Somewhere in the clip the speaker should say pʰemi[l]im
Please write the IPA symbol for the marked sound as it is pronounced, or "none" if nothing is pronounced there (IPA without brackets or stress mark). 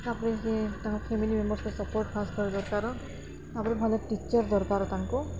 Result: l